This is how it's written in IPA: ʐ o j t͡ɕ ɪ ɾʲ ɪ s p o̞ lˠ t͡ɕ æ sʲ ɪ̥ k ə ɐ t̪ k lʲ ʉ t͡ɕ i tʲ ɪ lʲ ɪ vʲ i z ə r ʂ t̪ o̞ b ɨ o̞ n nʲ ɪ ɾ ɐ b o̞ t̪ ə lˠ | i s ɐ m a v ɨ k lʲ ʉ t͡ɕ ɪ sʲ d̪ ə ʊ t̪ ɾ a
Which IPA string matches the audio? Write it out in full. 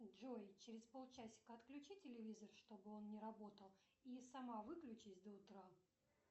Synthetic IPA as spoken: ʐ o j t͡ɕ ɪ ɾʲ ɪ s p o̞ lˠ t͡ɕ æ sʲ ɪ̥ k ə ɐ t̪ k lʲ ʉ t͡ɕ i tʲ ɪ lʲ ɪ vʲ i z ə r ʂ t̪ o̞ b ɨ o̞ n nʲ ɪ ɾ ɐ b o̞ t̪ ə lˠ | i s ɐ m a v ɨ k lʲ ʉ t͡ɕ ɪ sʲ d̪ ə ʊ t̪ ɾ a